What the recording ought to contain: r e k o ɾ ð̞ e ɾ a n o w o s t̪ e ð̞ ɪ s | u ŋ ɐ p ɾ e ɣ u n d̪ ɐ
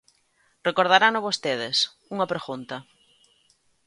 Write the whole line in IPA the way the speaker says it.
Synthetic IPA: r e k o ɾ ð̞ a ɾ a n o β o s t̪ e ð̞ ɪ s | u ŋ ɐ p ɾ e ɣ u n t̪ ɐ

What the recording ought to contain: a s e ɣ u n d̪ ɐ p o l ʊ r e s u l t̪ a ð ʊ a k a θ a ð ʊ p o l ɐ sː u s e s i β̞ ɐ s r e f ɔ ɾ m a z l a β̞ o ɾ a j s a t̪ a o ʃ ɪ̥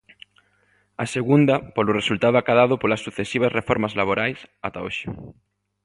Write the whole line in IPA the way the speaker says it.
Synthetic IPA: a s e ɣ u n d̪ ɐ p o l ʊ r e s u l t̪ a ð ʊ a k a ð a ð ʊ p o l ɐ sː u θ e s i β̞ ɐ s r e f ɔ ɾ m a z l a β̞ o ɾ a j s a t̪ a o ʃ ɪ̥

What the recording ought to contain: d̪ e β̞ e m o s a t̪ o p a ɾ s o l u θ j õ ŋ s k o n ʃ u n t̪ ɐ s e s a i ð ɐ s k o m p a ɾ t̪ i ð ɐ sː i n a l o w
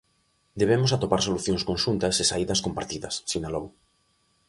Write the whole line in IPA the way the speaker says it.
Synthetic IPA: d̪ e β̞ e m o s a t̪ o p a ɾ s o l u θ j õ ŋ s k o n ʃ u n t̪ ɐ s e s a i ð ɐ s k o m p a ɾ t̪ i ð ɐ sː i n a l o w

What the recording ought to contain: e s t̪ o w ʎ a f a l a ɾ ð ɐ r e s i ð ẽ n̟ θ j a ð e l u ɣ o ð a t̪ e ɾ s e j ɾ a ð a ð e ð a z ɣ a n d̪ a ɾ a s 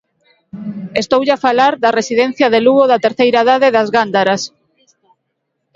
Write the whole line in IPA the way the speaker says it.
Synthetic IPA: e s t̪ o w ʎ a f a l a ɾ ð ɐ r e s i ð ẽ n̟ θ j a ð e l u ɣ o ð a t̪ e ɾ θ e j ɾ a ð a ð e ð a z ɣ a n d̪ a ɾ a s

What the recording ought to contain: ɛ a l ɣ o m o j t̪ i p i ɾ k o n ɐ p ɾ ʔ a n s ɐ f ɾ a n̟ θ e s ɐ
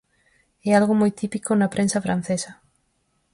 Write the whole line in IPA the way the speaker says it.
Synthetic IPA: ɛ a l ɣ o m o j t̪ i p i k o n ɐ p ɾ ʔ e n s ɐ f ɾ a n̟ θ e s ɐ

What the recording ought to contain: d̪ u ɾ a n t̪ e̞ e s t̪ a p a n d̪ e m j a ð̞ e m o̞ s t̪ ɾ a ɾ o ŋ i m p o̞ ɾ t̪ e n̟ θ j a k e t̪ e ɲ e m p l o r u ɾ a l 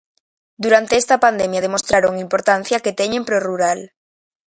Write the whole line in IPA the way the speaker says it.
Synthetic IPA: d̪ u ɾ a n t̪ e̞ e s t̪ a p a n d̪ e m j a ð̞ e m o̞ s t̪ ɾ a ɾ o ŋ i m p o̞ ɾ t̪ a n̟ θ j a k e t̪ e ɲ e m p ɾ o r u ɾ a l

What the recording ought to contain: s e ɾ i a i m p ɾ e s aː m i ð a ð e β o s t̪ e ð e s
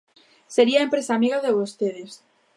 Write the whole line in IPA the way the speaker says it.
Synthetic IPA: s e ɾ i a e m p ɾ e s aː m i ɣ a ð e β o s t̪ e ð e s

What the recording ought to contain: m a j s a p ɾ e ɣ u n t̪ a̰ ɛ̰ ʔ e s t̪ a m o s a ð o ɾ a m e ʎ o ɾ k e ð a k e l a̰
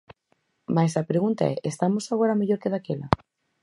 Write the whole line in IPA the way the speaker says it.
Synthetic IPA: m a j s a p ɾ e ɣ u n t̪ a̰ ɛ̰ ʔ e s t̪ a m o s a ɣ o ɾ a m e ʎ o ɾ k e ð a k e l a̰

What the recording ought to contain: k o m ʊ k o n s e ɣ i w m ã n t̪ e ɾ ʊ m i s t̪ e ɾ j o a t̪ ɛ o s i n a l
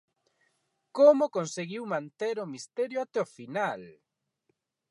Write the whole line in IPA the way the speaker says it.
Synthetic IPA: k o m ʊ k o n s e ɣ i w m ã n t̪ e ɾ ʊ m i s t̪ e ɾ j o a t̪ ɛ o f i n a l

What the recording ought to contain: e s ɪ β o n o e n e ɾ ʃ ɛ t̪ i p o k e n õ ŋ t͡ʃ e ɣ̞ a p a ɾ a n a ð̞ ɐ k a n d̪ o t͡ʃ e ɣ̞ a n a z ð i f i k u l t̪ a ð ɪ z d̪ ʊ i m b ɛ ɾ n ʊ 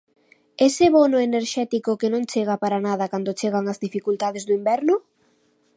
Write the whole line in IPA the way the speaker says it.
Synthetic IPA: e s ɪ β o n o e n e ɾ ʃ ɛ t̪ i k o k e n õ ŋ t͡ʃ e ɣ̞ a p a ɾ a n a ð̞ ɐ k a n d̪ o t͡ʃ e ɣ̞ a ŋ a z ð i f i k u l t̪ a ð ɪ z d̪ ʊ i m b ɛ ɾ n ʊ

